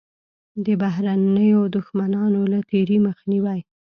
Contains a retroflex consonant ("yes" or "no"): no